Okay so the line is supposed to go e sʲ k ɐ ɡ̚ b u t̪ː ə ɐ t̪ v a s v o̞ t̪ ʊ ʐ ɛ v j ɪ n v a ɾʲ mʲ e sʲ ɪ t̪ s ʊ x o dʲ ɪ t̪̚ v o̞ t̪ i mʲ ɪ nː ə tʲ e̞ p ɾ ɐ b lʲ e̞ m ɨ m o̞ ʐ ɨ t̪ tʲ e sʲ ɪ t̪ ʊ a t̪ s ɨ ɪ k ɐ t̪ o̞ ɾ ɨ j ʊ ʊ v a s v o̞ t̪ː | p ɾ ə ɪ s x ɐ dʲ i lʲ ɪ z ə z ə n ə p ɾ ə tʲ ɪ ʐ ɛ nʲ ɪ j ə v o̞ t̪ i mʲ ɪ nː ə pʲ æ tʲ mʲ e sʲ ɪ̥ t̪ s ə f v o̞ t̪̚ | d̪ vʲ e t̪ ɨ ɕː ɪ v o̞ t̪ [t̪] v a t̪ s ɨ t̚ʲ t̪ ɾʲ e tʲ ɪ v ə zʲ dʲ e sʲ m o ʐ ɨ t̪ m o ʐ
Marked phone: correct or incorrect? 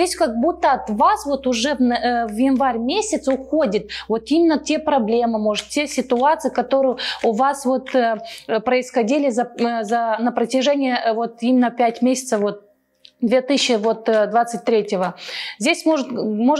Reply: incorrect: d̪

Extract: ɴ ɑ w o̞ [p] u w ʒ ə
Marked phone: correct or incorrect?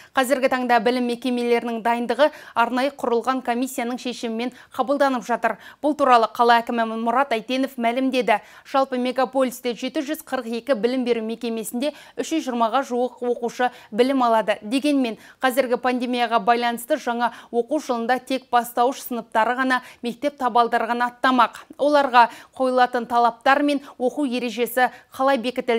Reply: incorrect: q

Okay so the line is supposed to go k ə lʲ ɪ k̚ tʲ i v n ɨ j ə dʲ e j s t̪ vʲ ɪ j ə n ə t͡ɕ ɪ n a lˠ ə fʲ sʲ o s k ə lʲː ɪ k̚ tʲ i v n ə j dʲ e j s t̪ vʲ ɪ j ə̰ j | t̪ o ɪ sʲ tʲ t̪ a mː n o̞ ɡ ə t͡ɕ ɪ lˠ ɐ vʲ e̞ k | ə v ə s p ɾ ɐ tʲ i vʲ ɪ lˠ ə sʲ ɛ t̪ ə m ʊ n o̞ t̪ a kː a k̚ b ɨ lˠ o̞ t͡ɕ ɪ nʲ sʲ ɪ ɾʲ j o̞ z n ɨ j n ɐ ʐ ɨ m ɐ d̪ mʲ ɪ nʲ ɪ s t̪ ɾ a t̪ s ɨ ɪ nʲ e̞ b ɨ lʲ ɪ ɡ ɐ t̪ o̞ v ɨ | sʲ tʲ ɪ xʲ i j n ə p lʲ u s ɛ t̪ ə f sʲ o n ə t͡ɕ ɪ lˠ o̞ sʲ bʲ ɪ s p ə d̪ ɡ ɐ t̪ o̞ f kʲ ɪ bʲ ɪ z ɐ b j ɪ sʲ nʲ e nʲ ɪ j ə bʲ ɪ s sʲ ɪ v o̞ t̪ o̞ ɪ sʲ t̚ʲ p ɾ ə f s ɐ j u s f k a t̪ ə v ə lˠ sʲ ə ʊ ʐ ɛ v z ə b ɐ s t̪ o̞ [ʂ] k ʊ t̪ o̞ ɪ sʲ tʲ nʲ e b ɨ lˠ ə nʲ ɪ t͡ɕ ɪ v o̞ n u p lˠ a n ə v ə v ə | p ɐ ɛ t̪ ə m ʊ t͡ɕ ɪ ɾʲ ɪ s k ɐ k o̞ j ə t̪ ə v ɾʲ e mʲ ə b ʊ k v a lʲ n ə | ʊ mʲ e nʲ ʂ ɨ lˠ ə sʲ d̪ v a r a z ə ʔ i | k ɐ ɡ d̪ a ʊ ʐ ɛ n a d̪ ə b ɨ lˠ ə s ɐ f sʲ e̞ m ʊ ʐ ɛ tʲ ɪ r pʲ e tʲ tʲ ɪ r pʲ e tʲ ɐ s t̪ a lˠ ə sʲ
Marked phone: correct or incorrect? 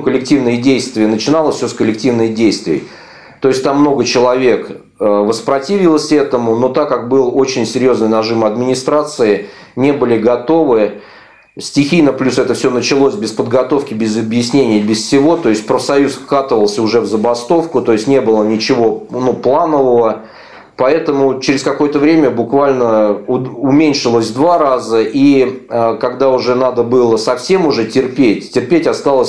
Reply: incorrect: f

